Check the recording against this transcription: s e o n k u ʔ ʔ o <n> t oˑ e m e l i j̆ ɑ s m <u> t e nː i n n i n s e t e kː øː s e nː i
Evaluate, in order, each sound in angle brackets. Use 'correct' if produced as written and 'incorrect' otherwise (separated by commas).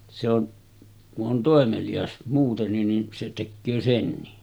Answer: correct, incorrect